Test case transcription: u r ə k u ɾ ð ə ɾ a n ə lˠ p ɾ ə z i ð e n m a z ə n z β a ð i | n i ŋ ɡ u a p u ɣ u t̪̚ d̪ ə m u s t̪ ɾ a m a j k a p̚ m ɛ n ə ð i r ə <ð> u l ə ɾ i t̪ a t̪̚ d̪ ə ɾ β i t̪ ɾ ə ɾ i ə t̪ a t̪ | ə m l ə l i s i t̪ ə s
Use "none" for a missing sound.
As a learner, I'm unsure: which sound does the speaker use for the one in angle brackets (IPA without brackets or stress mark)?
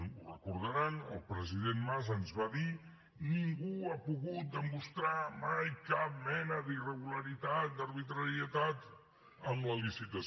ɣ